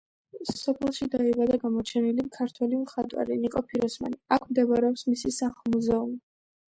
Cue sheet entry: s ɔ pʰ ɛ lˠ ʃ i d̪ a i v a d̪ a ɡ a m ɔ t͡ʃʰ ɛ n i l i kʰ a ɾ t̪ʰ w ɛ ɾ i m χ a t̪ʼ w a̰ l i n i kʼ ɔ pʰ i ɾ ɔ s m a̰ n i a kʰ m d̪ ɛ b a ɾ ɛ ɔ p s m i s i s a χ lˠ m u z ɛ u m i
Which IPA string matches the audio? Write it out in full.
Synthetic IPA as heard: s ɔ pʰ ɛ lˠ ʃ i d̪ a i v a d̪ a ɡ a m ɔ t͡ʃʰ ɛ n i l i kʰ a ɾ t̪ʰ w ɛ l i m χ a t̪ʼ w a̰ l i n i kʼ ɔ pʰ i ɾ ɔ s m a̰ n i a kʰ m d̪ ɛ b a ɾ ɛ ɔ p s m i s i s a χ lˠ m u z ɛ u m i